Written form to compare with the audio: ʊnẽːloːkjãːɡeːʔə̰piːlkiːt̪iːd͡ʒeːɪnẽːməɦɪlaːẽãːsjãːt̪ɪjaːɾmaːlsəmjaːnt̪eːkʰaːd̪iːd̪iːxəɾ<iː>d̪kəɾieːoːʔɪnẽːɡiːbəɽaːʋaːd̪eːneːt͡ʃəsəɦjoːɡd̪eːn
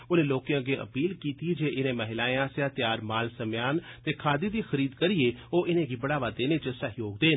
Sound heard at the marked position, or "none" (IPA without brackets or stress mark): iː